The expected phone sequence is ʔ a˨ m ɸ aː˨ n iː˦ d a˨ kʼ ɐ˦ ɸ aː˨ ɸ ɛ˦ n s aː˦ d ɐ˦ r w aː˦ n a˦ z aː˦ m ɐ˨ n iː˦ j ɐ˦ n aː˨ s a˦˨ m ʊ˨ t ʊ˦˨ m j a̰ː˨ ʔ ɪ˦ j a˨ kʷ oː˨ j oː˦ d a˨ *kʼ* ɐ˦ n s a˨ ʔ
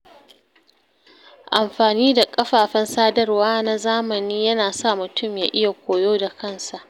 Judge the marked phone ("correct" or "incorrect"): incorrect